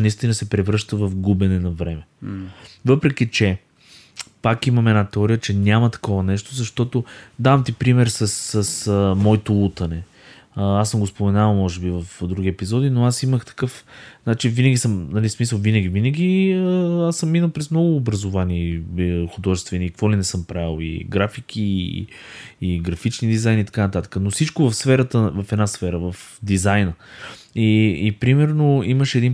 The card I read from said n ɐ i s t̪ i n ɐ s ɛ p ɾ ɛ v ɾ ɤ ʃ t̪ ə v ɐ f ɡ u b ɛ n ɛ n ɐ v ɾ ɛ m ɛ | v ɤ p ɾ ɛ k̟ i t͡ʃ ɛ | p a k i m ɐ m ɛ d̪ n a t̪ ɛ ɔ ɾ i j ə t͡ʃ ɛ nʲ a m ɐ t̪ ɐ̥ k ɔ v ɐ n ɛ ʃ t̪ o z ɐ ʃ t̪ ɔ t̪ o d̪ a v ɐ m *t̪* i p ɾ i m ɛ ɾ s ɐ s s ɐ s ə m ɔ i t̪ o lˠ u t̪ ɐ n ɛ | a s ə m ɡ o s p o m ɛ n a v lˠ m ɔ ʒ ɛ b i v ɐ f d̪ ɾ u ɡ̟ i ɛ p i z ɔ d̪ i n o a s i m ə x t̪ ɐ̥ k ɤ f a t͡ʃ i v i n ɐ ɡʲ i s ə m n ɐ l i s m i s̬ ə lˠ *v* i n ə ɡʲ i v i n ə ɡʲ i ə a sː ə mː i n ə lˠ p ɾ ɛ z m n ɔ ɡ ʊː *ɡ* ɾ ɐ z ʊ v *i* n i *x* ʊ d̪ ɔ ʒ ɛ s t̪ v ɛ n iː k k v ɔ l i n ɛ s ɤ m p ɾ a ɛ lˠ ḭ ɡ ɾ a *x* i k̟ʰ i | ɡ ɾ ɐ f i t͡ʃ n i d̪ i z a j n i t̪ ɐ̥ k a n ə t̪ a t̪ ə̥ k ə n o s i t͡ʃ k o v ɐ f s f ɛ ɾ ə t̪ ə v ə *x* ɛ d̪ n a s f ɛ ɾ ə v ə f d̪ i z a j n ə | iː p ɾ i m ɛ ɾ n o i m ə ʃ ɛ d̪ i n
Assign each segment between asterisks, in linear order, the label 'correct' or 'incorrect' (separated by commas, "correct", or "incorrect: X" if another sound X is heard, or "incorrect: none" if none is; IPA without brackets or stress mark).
correct, correct, incorrect: b, incorrect: a, correct, incorrect: f, incorrect: f